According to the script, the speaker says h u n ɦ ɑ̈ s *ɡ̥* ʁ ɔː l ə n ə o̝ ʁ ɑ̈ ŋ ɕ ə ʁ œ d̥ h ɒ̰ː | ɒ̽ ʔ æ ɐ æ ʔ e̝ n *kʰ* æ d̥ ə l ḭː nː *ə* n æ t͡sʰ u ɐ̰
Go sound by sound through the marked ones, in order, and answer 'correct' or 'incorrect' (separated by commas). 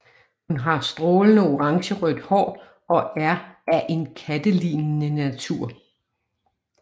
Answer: incorrect, correct, correct